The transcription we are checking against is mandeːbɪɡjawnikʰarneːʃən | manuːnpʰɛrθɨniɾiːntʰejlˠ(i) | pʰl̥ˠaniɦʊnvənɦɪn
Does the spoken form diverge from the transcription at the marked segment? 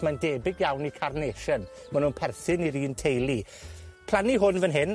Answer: no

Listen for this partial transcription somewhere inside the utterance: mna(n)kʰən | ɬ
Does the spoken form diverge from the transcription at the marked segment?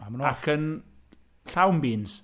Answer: yes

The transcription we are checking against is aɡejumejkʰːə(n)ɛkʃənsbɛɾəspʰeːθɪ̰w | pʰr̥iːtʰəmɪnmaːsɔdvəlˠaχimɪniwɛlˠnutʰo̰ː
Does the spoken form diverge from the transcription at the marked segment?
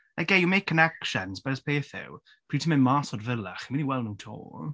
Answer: no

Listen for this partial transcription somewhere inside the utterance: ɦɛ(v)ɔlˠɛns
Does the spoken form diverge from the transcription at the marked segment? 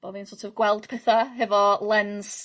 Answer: no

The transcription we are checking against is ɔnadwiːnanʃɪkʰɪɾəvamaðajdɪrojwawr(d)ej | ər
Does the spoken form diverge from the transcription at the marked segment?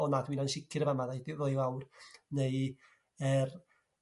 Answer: yes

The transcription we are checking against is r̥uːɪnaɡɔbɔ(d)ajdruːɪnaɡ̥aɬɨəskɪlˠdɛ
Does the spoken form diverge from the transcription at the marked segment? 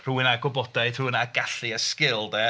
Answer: no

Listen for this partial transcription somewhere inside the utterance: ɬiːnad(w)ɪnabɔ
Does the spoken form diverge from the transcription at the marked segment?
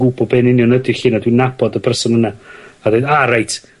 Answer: no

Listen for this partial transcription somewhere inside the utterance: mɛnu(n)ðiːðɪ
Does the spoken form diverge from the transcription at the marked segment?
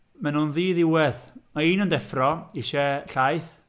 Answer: no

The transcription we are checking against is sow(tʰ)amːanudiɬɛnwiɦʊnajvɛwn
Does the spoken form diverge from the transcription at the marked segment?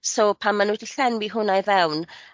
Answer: yes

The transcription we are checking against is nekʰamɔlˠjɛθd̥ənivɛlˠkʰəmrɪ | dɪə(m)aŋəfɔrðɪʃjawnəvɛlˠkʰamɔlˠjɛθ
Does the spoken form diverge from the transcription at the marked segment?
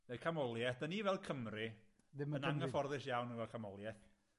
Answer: yes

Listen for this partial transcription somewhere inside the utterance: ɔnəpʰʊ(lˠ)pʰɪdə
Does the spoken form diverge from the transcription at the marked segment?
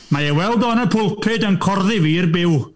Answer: no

